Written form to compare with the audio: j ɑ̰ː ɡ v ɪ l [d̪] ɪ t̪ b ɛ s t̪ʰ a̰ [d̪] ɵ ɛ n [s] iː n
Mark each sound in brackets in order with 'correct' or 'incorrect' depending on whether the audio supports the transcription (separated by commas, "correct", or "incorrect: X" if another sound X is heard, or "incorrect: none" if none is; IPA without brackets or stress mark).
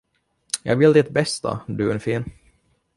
correct, correct, incorrect: f